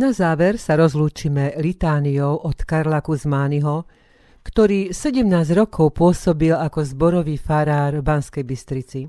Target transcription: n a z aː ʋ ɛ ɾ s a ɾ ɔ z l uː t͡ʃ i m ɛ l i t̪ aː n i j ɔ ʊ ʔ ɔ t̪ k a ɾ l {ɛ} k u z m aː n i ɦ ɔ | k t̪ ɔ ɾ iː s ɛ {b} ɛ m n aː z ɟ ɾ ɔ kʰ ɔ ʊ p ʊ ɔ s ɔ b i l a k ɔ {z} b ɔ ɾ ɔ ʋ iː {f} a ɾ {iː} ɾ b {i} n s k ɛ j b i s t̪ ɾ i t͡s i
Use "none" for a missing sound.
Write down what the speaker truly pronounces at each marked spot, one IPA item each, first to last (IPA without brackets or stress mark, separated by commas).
a, ɟ, z, f, aː, a